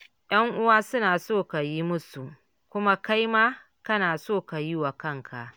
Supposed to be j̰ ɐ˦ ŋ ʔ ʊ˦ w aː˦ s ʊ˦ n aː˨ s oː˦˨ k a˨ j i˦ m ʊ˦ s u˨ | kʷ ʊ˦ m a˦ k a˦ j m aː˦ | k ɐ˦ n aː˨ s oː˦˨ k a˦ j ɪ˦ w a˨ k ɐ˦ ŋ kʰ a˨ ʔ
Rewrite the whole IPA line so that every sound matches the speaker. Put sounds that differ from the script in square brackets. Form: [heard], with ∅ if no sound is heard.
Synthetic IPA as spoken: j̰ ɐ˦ ŋ ʔ ʊ˦ w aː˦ s ʊ˦ n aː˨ s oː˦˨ k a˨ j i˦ m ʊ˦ s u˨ | kʷ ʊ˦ m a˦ k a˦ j m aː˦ | k ɐ˦ n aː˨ s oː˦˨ k [a˨] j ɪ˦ w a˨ k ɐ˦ ŋ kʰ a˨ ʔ